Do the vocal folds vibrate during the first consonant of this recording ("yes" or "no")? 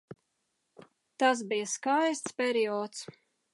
no